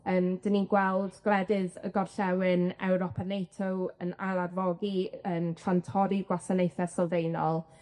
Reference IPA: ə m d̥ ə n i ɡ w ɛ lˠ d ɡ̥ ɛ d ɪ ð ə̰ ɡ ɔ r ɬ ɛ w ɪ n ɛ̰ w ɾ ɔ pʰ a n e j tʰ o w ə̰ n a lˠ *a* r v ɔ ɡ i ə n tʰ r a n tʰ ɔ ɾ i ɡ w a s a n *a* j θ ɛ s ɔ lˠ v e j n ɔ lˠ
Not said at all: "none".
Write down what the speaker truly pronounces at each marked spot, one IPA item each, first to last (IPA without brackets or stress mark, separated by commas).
a, e